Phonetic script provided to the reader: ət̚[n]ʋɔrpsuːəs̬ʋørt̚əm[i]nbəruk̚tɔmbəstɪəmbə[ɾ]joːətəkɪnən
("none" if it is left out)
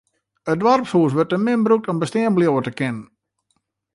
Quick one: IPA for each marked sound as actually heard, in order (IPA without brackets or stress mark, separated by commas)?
d, ɪ, l